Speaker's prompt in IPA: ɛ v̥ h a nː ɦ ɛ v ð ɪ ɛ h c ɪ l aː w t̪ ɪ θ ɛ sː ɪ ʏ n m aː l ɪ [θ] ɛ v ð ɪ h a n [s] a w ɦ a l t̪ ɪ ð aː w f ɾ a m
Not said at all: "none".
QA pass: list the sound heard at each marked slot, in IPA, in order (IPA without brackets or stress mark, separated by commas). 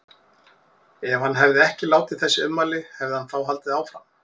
h, θ